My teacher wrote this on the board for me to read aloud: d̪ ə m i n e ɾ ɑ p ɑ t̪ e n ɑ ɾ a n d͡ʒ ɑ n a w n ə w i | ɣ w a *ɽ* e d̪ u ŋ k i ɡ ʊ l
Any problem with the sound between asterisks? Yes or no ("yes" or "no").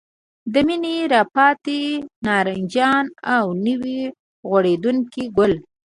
no